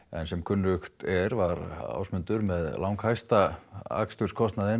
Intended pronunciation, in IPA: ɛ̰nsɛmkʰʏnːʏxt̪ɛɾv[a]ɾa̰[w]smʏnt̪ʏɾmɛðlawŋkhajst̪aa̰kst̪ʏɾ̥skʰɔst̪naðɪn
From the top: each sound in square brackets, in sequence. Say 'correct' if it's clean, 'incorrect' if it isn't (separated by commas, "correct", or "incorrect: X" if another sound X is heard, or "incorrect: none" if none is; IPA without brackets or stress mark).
correct, correct